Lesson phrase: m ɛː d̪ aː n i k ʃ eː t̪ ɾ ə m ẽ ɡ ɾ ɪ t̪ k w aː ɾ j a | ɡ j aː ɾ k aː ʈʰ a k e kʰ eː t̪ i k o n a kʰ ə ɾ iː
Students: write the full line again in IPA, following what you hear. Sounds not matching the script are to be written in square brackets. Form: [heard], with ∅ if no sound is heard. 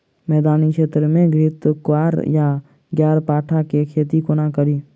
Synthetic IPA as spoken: m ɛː d̪ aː n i k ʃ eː t̪ ɾ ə m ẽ ɡ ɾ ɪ t̪ k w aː ɾ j a | ɡ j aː ɾ [p] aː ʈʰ a k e kʰ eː t̪ i k o n a [k] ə ɾ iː